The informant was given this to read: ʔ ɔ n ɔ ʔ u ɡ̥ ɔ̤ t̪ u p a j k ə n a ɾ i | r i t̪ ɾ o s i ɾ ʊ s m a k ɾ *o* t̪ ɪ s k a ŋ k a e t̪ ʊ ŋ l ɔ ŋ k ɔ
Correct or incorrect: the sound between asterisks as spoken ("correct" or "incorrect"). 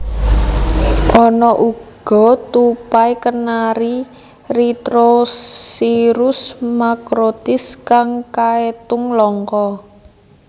correct